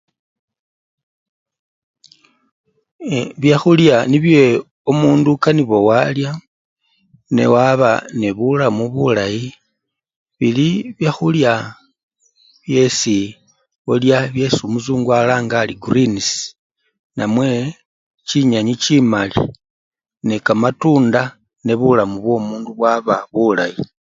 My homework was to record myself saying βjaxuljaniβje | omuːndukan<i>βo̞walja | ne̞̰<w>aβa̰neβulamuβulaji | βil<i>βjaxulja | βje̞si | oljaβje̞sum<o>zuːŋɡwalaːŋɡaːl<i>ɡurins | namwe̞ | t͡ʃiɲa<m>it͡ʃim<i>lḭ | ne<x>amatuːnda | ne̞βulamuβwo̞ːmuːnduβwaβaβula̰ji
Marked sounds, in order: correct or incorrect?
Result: correct, correct, correct, incorrect: u, correct, incorrect: ɲ, incorrect: a, incorrect: k

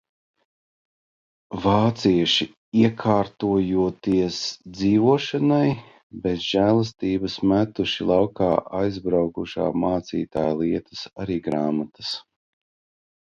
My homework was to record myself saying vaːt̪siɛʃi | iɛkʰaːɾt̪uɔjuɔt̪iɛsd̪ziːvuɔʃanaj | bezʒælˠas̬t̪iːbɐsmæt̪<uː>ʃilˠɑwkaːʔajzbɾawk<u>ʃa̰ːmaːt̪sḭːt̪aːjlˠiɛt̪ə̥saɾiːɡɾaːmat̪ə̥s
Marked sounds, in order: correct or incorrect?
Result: incorrect: u, correct

